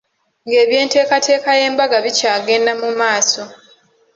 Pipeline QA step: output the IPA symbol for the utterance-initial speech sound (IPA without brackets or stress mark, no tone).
ŋ